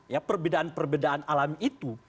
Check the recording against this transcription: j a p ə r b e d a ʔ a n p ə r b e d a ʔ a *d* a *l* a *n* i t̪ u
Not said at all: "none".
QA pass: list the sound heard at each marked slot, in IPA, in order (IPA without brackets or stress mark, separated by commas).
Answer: n, l, m